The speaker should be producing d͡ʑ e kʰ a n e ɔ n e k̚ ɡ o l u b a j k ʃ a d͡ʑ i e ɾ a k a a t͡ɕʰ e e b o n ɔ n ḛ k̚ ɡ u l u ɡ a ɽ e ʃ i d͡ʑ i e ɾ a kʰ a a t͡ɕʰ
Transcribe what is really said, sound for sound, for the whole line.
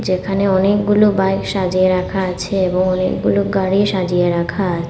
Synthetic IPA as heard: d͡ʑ e kʰ a n e ɔ n e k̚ ɡ u l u b a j k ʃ a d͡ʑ i e ɾ a kʰ a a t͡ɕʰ e e b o ŋ ɔ n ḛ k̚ ɡ u l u ɡ a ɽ i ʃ a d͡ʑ i e ɾ a kʰ a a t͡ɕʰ